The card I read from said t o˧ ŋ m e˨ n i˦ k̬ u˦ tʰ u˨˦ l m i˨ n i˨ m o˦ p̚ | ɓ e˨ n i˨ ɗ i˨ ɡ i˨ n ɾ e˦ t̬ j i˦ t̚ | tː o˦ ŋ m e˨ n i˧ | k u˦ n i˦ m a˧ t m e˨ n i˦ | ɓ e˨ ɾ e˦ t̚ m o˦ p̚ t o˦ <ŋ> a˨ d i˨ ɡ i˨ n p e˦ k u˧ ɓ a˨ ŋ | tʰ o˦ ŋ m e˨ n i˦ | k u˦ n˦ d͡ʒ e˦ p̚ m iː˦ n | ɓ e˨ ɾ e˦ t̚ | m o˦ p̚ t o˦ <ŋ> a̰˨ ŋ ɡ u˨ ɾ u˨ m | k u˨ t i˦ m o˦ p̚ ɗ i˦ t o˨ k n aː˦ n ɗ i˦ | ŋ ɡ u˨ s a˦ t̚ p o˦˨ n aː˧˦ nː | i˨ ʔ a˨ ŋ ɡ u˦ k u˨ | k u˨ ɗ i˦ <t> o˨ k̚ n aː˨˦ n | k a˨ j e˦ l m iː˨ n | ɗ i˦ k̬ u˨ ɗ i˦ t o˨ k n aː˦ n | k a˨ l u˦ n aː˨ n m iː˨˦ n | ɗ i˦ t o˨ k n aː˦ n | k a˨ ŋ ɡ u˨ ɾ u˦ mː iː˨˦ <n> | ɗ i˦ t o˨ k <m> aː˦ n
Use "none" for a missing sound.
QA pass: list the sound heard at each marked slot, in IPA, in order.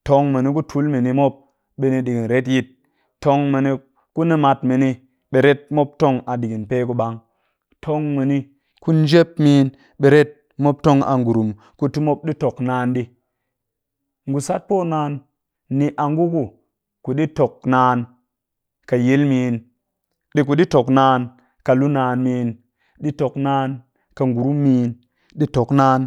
ŋ, ŋ, t, n, n

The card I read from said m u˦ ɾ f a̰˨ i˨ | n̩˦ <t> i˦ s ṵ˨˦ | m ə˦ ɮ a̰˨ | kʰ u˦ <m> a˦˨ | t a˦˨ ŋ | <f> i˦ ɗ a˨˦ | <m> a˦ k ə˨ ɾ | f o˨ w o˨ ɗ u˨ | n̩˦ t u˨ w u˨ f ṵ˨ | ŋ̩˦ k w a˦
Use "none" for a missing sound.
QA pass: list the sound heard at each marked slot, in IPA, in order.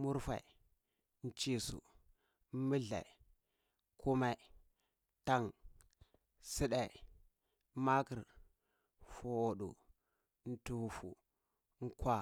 t͡ʃ, m, s, m

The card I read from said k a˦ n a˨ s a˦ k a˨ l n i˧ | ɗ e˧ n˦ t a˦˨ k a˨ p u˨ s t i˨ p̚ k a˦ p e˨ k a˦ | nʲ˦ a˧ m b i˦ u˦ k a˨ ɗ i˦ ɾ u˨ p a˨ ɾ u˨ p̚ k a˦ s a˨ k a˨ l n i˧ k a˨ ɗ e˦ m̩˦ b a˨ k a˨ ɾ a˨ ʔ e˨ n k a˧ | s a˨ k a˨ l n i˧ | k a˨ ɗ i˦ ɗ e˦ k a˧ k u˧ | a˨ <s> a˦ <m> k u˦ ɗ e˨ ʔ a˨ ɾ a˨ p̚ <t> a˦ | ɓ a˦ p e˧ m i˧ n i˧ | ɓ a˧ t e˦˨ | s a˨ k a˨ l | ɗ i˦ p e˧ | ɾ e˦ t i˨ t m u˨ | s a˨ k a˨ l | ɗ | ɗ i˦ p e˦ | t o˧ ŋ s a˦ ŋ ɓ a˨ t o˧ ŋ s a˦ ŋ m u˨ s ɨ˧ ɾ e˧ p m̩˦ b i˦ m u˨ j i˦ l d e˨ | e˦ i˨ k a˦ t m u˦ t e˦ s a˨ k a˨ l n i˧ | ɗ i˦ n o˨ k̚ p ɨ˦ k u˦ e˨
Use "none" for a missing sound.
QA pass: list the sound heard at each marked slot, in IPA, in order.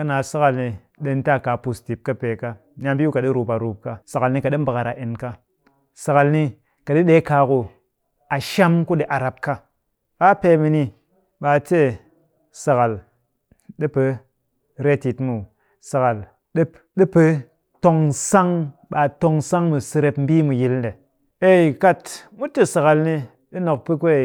ʃ, m, k

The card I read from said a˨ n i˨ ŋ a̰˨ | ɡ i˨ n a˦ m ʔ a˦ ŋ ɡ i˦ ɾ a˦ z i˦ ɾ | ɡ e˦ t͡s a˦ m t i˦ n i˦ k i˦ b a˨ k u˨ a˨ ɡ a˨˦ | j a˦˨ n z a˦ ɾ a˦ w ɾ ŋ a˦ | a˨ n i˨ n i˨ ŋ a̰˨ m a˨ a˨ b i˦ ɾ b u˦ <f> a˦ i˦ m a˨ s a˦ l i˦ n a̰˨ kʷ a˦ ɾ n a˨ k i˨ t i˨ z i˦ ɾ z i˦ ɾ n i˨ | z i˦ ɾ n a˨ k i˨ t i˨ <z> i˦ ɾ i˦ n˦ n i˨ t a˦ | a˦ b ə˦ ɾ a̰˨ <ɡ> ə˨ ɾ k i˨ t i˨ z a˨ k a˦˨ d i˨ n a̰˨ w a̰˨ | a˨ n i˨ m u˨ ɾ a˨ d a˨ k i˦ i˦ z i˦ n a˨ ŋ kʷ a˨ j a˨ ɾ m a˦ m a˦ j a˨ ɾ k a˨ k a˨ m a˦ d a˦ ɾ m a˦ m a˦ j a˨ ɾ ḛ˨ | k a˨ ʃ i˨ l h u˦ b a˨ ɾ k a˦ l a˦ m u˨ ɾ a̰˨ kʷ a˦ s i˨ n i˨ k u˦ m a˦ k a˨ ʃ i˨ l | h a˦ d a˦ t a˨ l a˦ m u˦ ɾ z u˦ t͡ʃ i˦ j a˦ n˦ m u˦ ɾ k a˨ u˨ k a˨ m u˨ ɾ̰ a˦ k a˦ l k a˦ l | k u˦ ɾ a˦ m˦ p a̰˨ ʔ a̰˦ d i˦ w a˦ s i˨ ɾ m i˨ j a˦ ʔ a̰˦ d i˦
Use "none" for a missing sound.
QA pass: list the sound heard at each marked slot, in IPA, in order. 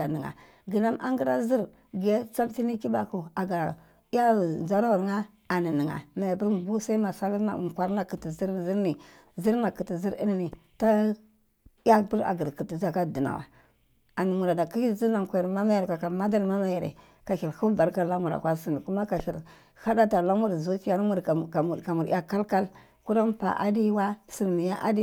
s, z, ɡ

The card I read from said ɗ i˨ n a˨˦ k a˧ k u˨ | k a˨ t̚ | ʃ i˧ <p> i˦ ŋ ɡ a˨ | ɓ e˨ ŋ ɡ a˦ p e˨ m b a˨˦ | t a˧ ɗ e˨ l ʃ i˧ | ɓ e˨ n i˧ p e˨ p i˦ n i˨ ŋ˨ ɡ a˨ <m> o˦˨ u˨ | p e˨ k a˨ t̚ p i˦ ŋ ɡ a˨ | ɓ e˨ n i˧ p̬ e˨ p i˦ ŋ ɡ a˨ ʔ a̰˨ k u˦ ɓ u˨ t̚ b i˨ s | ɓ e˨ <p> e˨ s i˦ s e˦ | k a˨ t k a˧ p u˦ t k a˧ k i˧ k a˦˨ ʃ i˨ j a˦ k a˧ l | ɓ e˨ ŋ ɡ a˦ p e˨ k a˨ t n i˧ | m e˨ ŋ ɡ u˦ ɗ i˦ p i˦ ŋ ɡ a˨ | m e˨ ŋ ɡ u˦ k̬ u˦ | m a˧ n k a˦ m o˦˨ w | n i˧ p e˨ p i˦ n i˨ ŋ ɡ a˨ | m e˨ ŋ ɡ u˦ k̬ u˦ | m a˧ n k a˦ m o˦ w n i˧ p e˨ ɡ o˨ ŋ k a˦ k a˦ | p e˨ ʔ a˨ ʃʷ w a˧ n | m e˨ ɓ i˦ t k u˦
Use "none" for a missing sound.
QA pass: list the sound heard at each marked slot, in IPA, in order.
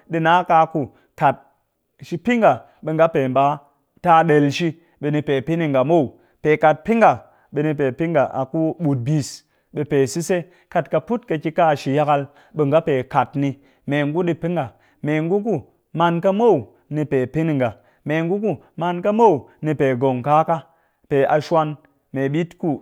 p, m, p

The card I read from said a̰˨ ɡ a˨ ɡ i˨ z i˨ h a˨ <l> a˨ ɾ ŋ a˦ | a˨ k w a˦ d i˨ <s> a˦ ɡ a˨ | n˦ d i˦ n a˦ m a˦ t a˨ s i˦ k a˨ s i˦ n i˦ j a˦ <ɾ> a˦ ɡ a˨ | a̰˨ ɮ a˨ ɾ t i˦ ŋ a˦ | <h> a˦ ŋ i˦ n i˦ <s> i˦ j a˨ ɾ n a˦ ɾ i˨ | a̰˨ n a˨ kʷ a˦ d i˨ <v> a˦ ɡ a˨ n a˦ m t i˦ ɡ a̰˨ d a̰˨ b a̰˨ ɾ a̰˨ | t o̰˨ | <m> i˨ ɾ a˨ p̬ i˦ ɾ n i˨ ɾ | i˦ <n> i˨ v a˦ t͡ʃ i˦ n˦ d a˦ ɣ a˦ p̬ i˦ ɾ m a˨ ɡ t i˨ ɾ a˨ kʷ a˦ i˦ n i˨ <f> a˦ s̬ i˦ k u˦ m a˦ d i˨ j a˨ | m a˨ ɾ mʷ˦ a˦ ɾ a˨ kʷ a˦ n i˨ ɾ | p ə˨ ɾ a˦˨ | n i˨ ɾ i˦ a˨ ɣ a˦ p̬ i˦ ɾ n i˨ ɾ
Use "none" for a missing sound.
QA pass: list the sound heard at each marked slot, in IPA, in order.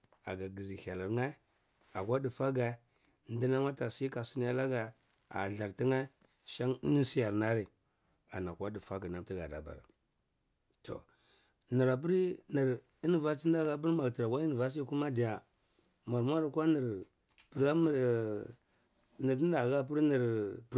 l, f, l, ʃ, s, f, n, n, v

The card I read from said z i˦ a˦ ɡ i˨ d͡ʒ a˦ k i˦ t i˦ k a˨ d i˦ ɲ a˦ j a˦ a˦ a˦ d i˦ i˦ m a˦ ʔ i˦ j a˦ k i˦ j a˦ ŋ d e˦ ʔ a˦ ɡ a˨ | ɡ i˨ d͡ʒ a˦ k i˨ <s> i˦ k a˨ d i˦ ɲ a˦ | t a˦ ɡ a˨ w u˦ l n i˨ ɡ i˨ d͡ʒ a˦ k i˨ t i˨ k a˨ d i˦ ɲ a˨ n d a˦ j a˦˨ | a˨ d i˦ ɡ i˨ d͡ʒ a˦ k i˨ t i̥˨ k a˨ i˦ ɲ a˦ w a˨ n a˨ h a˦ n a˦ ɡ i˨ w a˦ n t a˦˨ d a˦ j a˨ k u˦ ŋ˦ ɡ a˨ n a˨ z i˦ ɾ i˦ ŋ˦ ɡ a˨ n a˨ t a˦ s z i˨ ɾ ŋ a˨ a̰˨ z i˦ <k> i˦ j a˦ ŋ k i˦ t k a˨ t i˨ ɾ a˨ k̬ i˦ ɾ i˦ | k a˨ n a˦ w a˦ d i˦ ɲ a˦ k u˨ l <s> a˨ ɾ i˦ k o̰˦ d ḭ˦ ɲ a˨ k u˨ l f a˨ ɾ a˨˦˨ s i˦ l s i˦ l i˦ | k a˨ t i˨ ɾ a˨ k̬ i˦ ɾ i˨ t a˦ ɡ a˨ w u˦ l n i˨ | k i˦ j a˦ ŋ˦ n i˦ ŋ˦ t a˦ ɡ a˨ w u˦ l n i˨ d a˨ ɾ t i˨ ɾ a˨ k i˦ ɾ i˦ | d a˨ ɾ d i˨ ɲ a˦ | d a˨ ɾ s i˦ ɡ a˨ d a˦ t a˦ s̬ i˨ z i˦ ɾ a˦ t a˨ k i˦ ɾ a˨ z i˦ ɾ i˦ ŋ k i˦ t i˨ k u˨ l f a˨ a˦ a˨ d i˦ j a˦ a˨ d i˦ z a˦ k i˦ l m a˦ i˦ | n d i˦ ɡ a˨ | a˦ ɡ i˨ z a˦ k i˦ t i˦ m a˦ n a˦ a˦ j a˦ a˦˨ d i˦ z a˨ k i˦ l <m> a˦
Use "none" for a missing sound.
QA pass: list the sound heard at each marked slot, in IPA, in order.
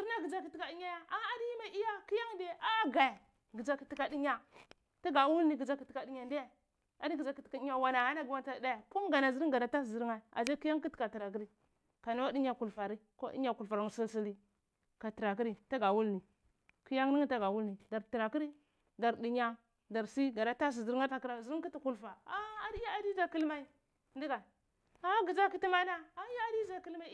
t, k, f, m

